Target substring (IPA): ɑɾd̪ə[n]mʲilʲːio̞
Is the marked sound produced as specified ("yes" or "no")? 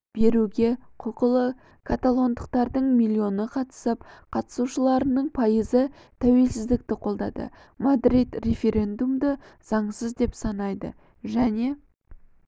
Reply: no